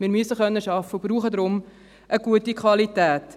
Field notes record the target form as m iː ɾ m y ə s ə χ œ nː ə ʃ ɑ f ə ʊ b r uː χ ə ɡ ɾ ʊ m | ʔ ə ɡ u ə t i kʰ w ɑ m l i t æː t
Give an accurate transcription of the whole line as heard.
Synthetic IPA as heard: m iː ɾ m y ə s ə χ œ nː ə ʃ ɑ f ə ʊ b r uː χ ə d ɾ ʊ m | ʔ ə ɡ u ə t i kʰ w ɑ l i t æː t